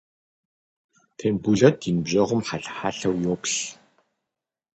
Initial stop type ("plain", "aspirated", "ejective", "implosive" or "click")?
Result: aspirated